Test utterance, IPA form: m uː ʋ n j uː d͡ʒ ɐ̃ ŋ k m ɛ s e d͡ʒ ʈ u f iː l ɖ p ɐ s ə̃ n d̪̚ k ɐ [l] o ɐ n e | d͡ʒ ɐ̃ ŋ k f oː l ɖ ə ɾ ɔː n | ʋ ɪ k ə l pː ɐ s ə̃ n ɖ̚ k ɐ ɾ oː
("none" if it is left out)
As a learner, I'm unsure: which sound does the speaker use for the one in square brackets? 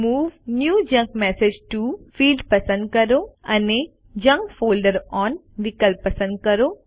ɾ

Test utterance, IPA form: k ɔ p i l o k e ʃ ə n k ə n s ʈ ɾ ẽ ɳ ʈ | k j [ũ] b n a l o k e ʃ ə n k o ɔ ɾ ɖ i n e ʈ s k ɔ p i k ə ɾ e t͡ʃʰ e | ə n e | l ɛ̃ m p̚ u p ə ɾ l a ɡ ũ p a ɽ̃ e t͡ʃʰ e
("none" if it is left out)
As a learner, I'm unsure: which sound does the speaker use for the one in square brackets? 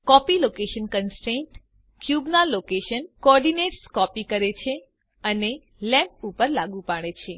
u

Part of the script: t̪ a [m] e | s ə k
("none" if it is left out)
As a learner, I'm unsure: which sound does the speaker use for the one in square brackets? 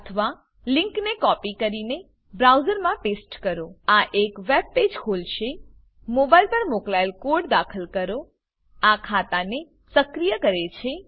n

